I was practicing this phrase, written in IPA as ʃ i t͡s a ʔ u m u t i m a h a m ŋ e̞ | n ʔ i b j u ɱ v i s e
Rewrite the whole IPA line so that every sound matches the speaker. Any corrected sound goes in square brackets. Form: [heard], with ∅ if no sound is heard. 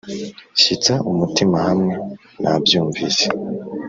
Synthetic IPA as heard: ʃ i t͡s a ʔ u m u t i m a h a m ŋ e̞ | n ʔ [a] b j [uː] ɱ v i s e

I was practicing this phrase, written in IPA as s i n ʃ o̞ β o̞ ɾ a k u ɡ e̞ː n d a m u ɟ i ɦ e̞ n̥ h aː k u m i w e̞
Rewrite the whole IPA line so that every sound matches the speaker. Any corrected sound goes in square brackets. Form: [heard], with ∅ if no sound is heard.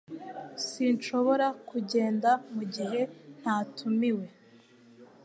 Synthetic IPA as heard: s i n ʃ o̞ β o̞ ɾ a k u [ɟ] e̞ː n d a m u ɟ i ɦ e̞ n̥ h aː [t] u m i w e̞

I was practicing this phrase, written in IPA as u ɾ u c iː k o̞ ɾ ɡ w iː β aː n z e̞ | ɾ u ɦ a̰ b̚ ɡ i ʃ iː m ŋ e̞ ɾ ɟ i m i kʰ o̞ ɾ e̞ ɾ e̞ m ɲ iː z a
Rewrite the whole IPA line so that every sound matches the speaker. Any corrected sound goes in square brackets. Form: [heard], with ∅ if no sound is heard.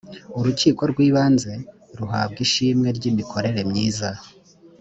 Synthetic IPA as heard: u ɾ u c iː k o̞ ɾ ɡ w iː β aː n z e̞ | ɾ u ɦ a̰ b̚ ɡ i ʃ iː m ŋ e̞ ɾ ɟ i m i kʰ o̞ ɾ e̞ ɾ e̞ m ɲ iː z a

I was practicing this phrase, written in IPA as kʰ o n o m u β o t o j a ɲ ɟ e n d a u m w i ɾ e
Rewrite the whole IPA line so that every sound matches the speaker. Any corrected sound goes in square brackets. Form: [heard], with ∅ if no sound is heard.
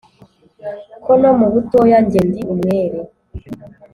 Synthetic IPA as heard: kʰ o n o m u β [u] t o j a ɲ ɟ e n d [i] u m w [e] ɾ e

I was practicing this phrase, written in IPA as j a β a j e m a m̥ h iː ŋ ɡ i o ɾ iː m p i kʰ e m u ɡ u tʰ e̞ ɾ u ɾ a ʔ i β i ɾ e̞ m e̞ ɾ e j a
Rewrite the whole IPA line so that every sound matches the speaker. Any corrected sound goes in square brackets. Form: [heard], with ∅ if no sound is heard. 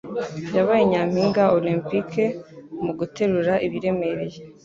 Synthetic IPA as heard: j a β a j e [ɲ] a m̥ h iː ŋ ɡ [a] o [l] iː m p i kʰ e m u ɡ u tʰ e̞ ɾ u ɾ a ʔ i β i ɾ e̞ m e̞ ɾ e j [e]

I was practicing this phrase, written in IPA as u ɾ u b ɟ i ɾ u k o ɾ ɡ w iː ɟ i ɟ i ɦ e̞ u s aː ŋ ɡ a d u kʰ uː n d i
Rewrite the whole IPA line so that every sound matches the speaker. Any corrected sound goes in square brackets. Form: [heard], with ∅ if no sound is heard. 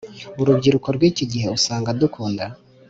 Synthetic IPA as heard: u ɾ u b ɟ i ɾ u k o ɾ ɡ w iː [c] i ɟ i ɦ e̞ u s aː ŋ ɡ a d u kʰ uː n d [a]

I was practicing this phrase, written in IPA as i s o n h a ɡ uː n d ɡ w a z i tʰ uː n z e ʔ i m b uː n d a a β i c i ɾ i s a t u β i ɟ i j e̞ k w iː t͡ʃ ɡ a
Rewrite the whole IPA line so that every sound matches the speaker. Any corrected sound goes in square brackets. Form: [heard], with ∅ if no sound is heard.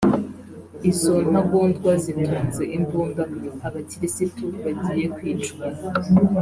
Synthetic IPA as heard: i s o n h a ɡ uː n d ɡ w a z i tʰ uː n z e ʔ i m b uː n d a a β [a] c i ɾ i s [i] t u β [a] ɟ i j e̞ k w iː t͡ʃ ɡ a

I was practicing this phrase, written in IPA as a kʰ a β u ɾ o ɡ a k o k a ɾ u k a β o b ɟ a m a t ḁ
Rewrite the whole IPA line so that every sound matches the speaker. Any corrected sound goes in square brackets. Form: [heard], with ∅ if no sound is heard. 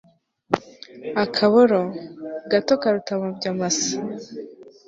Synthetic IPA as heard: a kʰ a β [o] ɾ o ɡ a [t] o k a ɾ u [t] a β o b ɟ a m a [s] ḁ

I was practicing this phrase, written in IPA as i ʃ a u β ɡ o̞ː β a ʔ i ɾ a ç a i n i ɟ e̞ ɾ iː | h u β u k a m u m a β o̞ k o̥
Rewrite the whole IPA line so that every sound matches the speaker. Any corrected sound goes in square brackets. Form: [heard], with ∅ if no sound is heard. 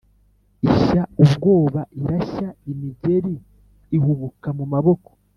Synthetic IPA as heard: i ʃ a u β ɡ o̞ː β a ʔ i ɾ a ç a i [m] i ɟ e̞ ɾ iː | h u β u k a m u m a β o̞ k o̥

